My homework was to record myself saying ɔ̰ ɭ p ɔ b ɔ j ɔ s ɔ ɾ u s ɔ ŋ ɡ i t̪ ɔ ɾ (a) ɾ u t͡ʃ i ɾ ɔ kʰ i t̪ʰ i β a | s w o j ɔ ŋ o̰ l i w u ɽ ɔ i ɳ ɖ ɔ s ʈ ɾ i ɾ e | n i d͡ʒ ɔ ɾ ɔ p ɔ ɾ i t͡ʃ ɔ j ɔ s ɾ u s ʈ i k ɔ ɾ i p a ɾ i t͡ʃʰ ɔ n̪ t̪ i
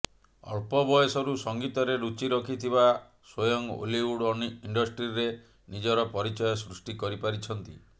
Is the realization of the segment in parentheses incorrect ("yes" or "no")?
yes